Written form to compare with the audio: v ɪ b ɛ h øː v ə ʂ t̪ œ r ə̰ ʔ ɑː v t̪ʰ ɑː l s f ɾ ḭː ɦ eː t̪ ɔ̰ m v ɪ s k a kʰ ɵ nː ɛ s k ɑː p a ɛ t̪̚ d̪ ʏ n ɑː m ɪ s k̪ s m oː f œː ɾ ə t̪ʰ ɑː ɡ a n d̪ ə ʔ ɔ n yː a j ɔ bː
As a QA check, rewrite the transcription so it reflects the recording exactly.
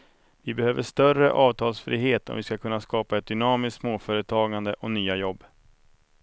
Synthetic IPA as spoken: v ɪ b ɛ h øː v ə ʂ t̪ œ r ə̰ ʔ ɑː v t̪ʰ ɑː l s f ɾ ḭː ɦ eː t̪ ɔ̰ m v ɪ s k a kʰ ɵ nː a s k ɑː p a ɛ t̪̚ d̪ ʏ n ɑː m ɪ s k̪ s m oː f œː ɾ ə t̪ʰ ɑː ɡ a n d̪ ə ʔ ɔ n yː a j ɔ bː

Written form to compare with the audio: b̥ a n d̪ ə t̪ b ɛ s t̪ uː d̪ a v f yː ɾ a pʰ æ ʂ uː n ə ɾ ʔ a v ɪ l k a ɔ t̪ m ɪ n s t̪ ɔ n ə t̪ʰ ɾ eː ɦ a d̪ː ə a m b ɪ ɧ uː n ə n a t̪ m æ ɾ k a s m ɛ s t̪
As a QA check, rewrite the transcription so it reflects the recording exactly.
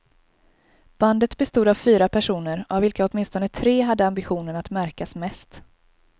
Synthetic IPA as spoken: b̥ a n d̪ ə t̪ b ɛ s t̪ uː d̪ a v f yː ɾ a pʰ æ ʂ uː n ə ɾ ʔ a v ɪ l k a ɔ t̪ m ɪ n s t̪ ɔ n ə t̪ʰ ɾ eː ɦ a d̪ː ə a m b ɪ ɧ uː n ə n a t̪ m æ ɾ k a s m ɛ s t̪

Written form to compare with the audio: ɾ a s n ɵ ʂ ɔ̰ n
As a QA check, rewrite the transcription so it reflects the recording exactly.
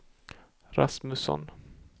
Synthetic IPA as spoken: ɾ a s m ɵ s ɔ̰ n

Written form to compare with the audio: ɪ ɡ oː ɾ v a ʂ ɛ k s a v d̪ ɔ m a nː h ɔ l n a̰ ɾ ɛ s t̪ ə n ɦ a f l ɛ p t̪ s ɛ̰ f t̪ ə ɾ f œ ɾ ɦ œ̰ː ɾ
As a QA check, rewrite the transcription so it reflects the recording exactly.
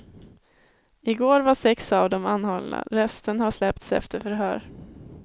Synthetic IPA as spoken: ɪ ɡ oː ɾ v a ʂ ɛ k s a v d̪ ɔ m a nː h ɔ l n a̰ ɾ ɛ s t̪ ə n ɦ a ʂ l ɛ p t̪ s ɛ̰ f t̪ ə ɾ f œ ɾ ɦ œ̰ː ɾ

